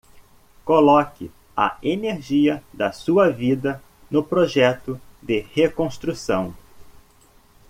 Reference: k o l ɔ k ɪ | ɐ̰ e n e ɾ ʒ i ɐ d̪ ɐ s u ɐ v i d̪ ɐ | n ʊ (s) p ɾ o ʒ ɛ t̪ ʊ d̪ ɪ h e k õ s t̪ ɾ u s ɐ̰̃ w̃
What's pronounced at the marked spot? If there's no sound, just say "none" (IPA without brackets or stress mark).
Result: none